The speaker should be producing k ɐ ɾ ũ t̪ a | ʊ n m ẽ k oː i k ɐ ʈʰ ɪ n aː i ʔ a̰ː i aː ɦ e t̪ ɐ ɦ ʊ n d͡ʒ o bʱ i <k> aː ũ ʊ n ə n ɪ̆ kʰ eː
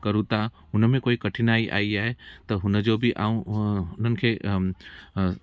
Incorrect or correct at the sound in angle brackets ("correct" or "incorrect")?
incorrect